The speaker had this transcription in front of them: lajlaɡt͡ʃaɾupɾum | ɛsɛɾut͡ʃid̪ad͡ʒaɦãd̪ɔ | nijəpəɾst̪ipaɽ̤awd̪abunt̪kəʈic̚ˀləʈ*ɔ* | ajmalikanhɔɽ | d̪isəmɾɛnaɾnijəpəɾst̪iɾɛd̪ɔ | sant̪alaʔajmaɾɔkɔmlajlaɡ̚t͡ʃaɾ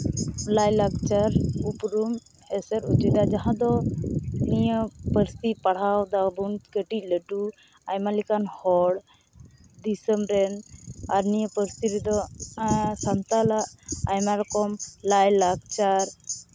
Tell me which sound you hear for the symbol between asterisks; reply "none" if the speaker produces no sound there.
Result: u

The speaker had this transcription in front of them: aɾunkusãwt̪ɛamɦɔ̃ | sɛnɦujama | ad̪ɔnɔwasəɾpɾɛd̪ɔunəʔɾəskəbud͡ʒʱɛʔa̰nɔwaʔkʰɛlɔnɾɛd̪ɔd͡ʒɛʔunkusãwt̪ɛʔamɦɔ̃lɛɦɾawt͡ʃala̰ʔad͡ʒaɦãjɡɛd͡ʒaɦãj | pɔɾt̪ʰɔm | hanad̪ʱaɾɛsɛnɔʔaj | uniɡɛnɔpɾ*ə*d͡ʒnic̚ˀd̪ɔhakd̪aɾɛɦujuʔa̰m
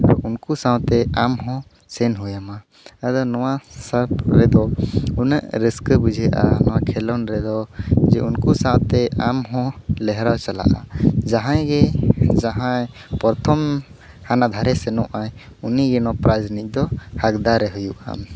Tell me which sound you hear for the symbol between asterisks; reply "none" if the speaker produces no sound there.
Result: a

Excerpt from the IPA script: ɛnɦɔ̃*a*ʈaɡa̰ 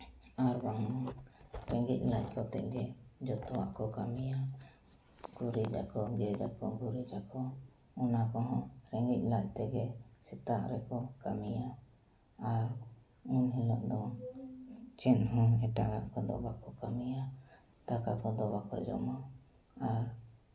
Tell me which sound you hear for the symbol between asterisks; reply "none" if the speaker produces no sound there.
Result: ɛ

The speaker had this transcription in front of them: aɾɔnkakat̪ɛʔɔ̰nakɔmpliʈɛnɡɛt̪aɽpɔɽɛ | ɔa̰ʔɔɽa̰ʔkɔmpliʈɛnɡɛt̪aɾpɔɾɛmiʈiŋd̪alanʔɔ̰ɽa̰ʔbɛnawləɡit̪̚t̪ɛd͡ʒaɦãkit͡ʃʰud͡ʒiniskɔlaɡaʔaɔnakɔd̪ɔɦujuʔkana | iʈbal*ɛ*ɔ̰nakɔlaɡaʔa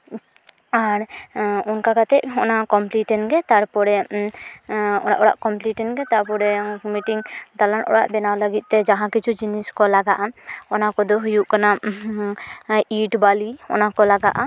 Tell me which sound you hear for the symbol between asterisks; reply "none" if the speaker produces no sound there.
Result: i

